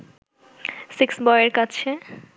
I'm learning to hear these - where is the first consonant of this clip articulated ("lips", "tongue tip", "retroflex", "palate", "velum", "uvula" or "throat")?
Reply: tongue tip